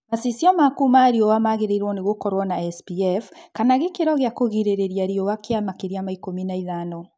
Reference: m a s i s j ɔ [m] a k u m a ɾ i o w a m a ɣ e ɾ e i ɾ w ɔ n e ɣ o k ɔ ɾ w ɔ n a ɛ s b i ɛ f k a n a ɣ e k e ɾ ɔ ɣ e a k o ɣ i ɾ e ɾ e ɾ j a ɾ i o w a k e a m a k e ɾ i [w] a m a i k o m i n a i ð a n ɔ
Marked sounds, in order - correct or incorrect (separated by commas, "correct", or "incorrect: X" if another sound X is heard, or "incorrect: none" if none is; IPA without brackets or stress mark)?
correct, incorrect: none